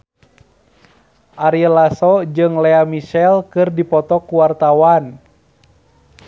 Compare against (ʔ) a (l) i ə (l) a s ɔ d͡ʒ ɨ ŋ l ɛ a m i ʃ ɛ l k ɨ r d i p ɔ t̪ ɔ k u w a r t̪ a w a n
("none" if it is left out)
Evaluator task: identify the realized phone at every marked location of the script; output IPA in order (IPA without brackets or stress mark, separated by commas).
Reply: ʔ, ɾ, l